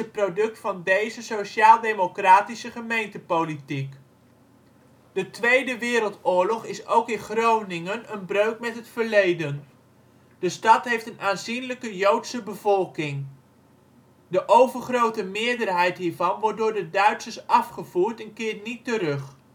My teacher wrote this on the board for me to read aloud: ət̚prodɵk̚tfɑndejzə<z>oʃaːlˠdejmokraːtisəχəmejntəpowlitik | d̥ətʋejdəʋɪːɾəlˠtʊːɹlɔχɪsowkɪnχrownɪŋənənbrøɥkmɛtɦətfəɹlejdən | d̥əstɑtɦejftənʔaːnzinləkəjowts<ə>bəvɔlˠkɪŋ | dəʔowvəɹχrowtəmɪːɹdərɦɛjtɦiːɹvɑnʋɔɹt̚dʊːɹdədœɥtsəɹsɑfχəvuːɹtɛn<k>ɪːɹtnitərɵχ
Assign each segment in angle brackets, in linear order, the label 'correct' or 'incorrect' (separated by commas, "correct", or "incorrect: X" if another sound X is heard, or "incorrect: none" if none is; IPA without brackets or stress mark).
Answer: incorrect: s, correct, correct